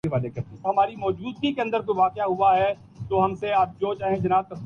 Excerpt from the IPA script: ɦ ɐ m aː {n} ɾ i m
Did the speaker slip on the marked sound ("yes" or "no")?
yes